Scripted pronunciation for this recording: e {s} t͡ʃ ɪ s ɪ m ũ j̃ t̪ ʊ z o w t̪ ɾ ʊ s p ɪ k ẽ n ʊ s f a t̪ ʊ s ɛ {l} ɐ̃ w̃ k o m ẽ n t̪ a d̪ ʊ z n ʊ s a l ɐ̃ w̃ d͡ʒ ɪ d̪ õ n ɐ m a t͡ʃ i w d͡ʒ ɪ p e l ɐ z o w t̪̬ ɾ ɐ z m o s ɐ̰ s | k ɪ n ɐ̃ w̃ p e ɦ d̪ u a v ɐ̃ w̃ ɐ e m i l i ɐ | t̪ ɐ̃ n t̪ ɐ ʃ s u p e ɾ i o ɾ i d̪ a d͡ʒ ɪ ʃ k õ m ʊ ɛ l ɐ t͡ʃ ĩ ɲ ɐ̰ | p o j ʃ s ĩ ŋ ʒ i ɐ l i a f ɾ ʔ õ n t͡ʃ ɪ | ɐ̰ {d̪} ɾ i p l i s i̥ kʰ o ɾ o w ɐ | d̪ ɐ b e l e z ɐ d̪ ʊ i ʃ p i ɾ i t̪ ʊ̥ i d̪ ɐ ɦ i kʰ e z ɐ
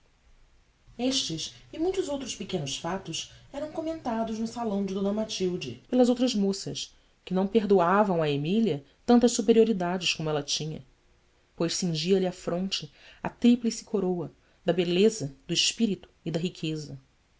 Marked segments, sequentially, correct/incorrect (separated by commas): incorrect, incorrect, incorrect